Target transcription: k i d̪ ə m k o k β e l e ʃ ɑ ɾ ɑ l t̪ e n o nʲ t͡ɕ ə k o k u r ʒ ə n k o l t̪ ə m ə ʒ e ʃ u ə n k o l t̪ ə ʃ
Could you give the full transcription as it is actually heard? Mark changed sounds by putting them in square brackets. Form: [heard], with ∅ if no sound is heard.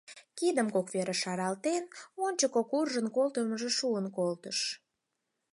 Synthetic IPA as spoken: k i d̪ ə m k o k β e [ɾ] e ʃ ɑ ɾ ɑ l t̪ e n o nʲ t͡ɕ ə k o k u r ʒ ə n k o l t̪ ə m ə ʒ e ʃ u ə n k o l t̪ ə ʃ